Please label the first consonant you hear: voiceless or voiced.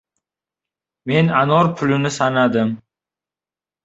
voiced